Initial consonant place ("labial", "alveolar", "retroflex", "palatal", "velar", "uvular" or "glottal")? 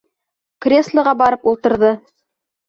velar